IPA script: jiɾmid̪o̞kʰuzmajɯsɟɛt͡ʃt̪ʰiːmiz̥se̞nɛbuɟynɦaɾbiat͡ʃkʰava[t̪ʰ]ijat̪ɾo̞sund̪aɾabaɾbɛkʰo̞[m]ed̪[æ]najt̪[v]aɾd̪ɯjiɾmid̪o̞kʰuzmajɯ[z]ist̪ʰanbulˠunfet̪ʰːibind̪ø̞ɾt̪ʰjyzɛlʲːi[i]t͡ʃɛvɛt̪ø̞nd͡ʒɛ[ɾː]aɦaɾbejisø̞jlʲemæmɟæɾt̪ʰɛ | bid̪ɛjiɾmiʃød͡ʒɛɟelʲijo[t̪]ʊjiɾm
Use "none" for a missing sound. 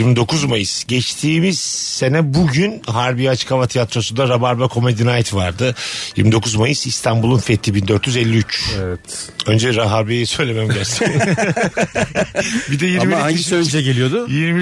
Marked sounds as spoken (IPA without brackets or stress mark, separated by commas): t̪ʰ, m, i, v, s, y, ɾ, d̪